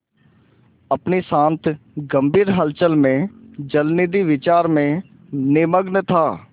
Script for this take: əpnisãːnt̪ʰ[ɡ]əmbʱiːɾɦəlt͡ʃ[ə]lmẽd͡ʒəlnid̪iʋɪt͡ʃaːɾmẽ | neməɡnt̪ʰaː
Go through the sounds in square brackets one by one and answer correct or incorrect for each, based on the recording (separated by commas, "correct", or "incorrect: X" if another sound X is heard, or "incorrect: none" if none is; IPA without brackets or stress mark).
correct, correct